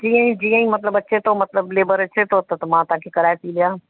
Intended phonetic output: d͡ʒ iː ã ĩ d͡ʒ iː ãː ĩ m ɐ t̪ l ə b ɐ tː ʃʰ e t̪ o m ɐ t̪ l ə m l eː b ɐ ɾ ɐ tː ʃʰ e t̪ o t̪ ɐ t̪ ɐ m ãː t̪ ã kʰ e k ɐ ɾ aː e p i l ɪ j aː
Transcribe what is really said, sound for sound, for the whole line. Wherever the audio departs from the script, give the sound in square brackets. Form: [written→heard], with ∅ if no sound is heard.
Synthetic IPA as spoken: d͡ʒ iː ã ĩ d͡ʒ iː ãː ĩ m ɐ t̪ l ə b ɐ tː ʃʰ e t̪ o m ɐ t̪ l ə [m→b] l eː b [ɐ→ə] ɾ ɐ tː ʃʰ e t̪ o t̪ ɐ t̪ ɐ m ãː t̪ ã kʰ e k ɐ ɾ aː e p i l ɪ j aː

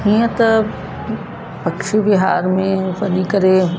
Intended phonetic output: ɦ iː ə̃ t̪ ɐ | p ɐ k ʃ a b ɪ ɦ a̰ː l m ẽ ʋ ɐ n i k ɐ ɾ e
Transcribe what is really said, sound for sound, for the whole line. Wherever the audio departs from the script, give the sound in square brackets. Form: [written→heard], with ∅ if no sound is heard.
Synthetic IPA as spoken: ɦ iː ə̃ t̪ ɐ | p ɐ k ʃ [a→i] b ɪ ɦ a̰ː [l→ɾ] m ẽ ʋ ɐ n i k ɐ ɾ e

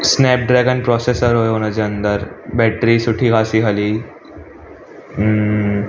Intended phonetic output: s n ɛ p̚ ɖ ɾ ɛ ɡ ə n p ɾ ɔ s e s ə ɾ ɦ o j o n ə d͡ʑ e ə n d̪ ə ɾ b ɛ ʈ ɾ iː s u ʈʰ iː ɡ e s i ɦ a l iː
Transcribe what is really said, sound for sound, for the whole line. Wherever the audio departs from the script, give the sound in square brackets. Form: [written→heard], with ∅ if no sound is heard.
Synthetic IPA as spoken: s n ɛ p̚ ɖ ɾ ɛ ɡ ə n p ɾ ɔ s e s ə ɾ ɦ o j o n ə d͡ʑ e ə n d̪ ə ɾ b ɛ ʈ ɾ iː s u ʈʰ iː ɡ [e→a] s i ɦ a l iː

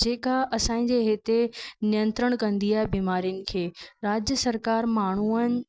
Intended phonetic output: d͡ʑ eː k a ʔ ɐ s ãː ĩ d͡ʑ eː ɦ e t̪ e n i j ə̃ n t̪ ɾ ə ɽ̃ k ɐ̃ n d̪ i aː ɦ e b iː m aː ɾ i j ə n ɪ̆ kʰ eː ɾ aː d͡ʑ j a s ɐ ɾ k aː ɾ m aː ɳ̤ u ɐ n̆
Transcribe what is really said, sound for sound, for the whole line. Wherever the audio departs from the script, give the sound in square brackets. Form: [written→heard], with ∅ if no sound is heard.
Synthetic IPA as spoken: d͡ʑ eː k a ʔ ɐ s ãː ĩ d͡ʑ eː ɦ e t̪ e n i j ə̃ n t̪ ɾ ə ɽ̃ k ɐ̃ n d̪ i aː ɦ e b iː m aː ɾ i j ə n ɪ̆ kʰ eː ɾ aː d͡ʑ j [a→ə] s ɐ ɾ k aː ɾ m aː ɳ̤ u [ɐ→ə] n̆

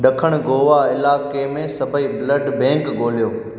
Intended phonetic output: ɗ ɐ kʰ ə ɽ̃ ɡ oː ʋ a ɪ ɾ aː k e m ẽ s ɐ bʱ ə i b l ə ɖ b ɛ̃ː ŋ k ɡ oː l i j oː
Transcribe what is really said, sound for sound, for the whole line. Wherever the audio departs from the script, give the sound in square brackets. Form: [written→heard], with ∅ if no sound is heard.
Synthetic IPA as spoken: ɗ ɐ kʰ ə ɽ̃ ɡ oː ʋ a ɪ [ɾ→l] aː k e m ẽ s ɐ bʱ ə i b l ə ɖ b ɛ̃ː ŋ k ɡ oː l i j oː

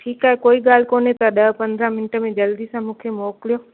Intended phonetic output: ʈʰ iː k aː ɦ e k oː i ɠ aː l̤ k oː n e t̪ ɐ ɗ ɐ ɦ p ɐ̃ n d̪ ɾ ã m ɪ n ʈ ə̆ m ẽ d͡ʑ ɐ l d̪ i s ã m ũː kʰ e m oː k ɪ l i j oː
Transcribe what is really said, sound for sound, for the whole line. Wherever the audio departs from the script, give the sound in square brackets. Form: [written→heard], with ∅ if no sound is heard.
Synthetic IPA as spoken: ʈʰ iː k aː ɦ e k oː i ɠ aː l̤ k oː n e t̪ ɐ ɗ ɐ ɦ p ɐ̃ n d̪ ɾ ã m ɪ n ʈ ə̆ m ẽ d͡ʑ ɐ l d̪ i s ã m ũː kʰ e m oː k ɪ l i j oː

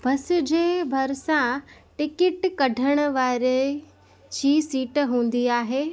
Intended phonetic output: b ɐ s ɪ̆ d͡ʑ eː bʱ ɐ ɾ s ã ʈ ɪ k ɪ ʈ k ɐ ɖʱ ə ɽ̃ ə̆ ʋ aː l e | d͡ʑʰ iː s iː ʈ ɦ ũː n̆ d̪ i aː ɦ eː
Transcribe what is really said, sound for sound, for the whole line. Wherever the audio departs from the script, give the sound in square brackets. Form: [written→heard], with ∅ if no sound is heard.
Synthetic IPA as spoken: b ɐ s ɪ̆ d͡ʑ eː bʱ ɐ ɾ s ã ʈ ɪ k ɪ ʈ k ɐ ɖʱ ə ɽ̃ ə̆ ʋ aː [l→ɾ] e | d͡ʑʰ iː s iː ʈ ɦ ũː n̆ d̪ i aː ɦ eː

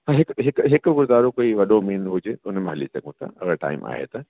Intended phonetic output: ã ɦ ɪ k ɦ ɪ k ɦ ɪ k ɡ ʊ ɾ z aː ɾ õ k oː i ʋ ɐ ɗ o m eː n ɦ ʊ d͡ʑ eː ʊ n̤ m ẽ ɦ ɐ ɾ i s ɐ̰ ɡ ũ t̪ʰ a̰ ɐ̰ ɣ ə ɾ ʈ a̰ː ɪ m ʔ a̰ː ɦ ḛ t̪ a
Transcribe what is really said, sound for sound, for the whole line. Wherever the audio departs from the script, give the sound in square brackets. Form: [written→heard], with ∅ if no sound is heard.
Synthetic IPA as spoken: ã ɦ ɪ k ɦ ɪ k ɦ ɪ k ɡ ʊ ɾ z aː ɾ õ k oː i ʋ ɐ ɗ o m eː n ɦ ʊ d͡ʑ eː ʊ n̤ m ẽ ɦ ɐ [ɾ→l] i s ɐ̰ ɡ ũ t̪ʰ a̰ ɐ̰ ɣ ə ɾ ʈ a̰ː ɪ m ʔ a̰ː ɦ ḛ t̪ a

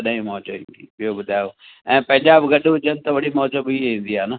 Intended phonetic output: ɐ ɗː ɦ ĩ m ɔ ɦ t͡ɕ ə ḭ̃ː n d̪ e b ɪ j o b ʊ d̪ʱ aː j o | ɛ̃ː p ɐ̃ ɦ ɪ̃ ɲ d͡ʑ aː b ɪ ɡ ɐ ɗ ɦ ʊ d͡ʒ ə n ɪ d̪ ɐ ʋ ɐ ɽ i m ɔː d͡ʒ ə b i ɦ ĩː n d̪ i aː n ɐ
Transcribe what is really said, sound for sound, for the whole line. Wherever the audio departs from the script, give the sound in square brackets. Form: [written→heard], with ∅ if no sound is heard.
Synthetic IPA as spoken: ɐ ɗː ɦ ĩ m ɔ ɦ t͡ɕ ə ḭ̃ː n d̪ [e→i] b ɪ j o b ʊ d̪ʱ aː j o | ɛ̃ː p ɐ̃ ɦ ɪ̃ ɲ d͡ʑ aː b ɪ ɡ ɐ ɗ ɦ ʊ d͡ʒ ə n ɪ [d̪→t̪] ɐ ʋ ɐ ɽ i m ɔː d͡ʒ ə b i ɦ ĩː n d̪ i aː n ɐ

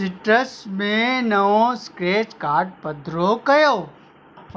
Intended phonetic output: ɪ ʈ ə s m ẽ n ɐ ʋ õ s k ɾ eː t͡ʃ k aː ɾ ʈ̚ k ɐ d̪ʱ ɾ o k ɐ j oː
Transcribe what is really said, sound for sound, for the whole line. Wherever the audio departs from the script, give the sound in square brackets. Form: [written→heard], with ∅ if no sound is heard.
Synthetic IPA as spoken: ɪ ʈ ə s m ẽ n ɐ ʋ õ s k ɾ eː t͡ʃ k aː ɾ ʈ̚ [k→p] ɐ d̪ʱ ɾ o k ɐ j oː

